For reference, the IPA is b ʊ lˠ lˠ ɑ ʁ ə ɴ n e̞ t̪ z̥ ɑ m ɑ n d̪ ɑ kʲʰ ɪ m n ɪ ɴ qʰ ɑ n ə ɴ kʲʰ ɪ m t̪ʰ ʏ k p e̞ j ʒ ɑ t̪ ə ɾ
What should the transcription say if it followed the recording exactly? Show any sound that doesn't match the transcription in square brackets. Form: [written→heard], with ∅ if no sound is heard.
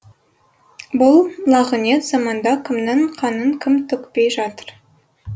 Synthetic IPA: b ʊ lˠ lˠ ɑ ʁ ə [ɴ→∅] n e̞ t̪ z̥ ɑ m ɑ n d̪ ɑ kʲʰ ɪ m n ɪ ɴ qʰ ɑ n ə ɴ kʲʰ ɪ m t̪ʰ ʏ k p e̞ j ʒ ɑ t̪ ə ɾ